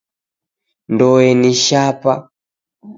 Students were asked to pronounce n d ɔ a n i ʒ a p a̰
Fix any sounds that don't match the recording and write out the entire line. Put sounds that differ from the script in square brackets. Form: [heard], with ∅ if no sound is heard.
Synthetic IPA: n d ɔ [ɛ] n i [ʃ] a p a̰